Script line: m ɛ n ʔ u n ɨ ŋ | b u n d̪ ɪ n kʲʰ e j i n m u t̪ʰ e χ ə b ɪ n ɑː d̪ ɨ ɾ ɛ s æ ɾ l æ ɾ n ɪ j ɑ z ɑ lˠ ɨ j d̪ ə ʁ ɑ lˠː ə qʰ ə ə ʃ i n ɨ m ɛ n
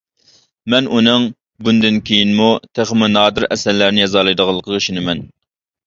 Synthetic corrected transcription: m ɛ n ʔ u n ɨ ŋ | b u n d̪ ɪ n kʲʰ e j i n m u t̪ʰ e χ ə m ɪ n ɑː d̪ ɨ ɾ ɛ s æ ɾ l æ ɾ n ɪ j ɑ z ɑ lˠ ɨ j d̪ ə ʁ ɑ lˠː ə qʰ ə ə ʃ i n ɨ m ɛ n